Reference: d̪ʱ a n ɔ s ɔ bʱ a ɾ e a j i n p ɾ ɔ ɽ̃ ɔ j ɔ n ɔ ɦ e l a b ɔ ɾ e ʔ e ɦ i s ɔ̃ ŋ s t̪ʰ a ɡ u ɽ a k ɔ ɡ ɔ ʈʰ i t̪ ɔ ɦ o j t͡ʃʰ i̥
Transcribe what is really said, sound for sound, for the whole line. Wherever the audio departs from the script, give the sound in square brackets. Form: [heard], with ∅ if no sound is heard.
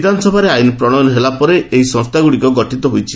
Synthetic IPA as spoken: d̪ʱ a n ɔ s ɔ bʱ a ɾ e a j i n p ɾ ɔ ɽ̃ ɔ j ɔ n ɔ ɦ e l a [p] ɔ ɾ e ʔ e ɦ i s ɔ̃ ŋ s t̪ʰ a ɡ u ɽ [i] k ɔ ɡ ɔ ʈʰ i t̪ ɔ ɦ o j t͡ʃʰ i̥